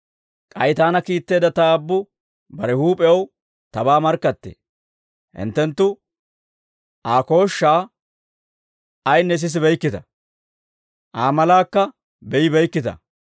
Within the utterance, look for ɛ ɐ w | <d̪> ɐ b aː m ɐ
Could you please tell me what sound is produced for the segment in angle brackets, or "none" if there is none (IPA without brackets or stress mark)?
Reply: t̪